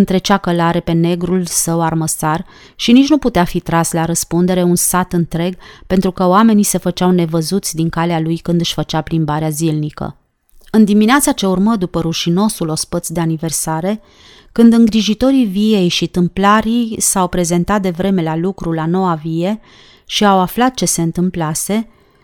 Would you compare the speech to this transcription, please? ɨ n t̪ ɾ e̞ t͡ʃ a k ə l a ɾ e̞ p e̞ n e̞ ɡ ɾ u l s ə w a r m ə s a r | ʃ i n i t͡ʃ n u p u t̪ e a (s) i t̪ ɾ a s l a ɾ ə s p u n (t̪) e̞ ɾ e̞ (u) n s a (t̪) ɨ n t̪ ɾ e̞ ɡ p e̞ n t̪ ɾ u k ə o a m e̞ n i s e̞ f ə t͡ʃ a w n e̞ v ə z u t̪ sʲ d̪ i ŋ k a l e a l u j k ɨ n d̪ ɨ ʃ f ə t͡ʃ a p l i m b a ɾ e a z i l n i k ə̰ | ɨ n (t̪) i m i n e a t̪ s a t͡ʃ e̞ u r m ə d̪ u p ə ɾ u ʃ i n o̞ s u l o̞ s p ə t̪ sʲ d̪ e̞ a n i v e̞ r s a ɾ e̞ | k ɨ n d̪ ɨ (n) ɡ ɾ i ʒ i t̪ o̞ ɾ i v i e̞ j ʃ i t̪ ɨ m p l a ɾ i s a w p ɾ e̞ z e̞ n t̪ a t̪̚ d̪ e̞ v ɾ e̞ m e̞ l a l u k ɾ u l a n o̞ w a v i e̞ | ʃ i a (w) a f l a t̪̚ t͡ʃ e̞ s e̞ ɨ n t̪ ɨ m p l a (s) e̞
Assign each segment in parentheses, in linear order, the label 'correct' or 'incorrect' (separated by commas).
incorrect, incorrect, correct, correct, incorrect, incorrect, correct, correct